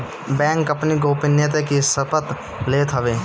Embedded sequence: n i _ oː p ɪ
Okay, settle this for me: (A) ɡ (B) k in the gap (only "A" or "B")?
A